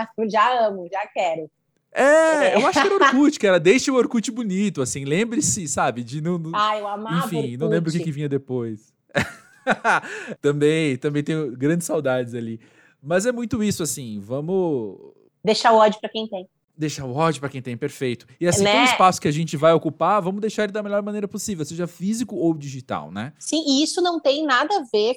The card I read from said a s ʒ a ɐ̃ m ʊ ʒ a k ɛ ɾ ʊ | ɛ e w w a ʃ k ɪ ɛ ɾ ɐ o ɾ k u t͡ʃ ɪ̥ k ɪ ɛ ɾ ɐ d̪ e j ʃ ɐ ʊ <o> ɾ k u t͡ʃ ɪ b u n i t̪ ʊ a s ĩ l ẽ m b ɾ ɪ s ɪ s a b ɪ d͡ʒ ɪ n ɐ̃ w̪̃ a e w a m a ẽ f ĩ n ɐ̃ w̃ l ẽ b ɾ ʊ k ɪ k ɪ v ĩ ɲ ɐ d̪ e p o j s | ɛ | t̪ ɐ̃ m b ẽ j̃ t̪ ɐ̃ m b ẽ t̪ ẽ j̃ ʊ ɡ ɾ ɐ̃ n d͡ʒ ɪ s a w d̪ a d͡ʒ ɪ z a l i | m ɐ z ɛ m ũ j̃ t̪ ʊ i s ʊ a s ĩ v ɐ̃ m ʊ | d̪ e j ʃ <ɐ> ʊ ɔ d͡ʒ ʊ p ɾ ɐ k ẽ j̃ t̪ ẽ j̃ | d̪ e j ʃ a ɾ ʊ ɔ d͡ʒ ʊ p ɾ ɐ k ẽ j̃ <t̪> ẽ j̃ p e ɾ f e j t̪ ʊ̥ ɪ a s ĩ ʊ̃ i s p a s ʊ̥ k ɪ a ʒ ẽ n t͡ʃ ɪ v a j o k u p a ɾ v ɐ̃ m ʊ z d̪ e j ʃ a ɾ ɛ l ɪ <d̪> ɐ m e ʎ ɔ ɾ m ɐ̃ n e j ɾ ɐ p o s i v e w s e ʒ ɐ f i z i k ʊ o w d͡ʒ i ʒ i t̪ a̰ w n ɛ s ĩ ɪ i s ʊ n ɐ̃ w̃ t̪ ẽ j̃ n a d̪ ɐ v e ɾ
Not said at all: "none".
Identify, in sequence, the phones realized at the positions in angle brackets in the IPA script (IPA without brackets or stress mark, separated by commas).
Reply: o, a, t̪, d̪